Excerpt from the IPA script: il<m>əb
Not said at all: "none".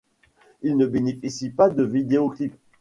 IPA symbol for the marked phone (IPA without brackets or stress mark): n